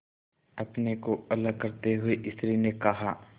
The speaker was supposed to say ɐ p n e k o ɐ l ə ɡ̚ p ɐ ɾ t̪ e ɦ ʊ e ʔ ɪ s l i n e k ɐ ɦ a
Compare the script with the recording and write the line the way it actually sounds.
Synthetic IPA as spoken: ɐ p n e k o ɐ l ə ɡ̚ k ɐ ɾ t̪ e ɦ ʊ e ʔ ɪ s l i n e k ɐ ɦ a